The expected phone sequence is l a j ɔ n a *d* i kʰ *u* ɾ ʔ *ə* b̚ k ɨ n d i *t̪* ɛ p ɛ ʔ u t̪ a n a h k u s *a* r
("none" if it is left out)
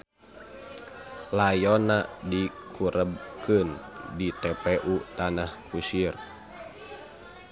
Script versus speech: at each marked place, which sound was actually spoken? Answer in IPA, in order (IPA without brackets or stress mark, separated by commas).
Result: d, u, ə, t̪, i